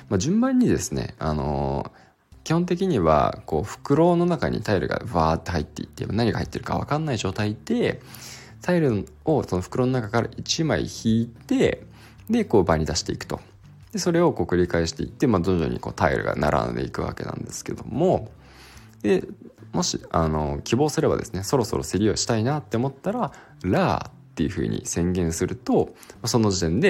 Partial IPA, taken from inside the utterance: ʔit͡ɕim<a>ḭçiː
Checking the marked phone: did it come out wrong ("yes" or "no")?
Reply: no